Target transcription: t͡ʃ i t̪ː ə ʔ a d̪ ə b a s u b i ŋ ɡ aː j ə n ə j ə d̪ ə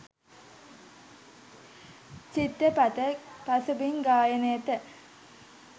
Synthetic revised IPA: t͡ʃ i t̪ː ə p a t̪ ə p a s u b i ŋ ɡ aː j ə n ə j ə t̪ ə